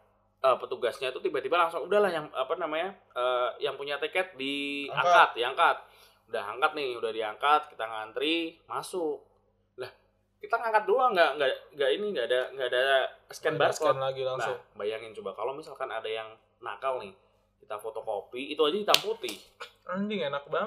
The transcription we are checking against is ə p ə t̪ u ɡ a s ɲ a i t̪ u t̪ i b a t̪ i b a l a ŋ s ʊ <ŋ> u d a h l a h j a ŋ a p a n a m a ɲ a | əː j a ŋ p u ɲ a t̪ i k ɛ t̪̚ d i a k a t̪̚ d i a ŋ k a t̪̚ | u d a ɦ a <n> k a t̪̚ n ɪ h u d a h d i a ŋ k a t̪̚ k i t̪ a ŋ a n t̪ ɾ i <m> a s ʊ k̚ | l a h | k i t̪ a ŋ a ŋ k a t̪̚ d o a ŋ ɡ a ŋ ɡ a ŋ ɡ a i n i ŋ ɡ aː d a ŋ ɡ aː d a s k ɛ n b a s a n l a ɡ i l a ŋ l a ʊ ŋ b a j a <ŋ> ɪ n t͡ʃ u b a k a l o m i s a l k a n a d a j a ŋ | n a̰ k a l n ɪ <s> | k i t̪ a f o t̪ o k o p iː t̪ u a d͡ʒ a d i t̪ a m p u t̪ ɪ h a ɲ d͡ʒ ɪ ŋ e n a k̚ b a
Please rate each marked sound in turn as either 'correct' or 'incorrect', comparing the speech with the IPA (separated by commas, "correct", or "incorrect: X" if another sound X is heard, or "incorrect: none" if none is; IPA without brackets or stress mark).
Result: correct, incorrect: ŋ, correct, correct, incorrect: h